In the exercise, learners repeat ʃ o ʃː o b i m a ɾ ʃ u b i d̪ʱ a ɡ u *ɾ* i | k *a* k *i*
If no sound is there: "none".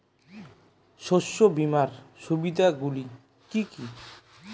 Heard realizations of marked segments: l, i, i

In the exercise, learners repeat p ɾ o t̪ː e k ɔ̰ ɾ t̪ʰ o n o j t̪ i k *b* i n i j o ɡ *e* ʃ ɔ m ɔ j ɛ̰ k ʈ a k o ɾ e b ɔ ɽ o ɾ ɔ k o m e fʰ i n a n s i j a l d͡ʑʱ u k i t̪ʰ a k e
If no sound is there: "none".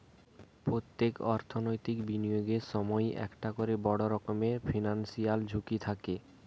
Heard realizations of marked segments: b, e

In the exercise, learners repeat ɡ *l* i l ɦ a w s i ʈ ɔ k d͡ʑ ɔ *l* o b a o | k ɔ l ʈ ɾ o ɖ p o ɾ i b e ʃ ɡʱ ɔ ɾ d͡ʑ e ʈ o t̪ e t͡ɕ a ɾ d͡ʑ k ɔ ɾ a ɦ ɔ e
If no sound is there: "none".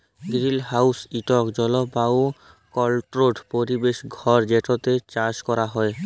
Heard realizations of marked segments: ɾ, l

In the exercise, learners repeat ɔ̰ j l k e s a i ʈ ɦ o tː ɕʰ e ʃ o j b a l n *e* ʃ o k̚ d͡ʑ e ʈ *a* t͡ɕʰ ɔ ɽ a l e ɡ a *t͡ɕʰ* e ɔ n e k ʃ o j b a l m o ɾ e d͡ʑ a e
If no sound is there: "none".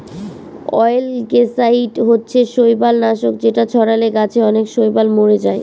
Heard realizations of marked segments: a, a, t͡ɕʰ

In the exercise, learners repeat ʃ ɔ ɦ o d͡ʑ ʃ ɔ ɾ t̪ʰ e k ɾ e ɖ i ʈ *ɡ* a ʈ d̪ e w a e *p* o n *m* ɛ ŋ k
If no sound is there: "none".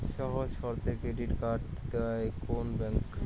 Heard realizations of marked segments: k, k, b

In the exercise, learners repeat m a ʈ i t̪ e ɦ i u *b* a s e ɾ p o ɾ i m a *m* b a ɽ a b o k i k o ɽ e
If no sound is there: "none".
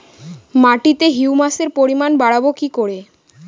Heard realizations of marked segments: m, n

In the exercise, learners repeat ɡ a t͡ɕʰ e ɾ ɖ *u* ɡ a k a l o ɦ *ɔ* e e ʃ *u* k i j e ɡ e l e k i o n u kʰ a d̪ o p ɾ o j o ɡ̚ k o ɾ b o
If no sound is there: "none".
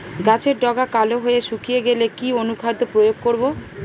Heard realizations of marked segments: ɔ, o, u

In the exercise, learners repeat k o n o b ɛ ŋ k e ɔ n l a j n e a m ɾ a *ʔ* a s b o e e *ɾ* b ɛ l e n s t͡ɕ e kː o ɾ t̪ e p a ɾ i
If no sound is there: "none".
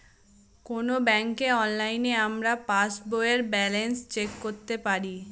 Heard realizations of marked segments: p, ɾ

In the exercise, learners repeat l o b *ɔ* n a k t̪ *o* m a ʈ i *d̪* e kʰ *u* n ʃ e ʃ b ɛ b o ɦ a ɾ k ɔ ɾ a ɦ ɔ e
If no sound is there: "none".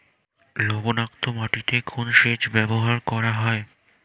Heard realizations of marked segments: o, o, t̪, o

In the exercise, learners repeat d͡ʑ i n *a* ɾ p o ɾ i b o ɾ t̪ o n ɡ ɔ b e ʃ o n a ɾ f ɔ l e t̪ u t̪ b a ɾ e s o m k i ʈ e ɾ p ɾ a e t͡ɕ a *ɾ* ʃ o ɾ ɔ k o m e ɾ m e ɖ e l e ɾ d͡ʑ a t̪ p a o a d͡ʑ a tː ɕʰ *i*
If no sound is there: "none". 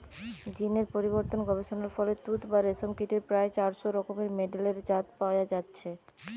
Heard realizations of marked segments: e, ɾ, e

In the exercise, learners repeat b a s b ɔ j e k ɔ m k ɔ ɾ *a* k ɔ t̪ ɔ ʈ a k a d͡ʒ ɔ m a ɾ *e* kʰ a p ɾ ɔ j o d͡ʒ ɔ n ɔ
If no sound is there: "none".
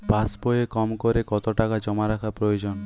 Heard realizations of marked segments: e, a

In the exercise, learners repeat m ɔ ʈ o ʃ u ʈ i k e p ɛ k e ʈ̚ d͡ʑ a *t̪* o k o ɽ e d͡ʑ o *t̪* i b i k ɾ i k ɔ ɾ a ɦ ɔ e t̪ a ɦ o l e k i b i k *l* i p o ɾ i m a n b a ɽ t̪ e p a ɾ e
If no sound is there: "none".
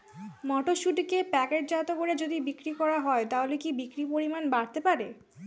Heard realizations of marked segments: t̪, d̪, ɾ

